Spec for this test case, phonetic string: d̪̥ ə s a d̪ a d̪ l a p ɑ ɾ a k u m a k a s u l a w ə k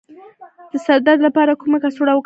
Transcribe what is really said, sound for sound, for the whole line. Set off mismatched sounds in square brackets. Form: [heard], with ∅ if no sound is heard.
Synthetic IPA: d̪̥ ə s a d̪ a d̪ l a p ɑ ɾ a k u m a k a s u [ɽ] a w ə k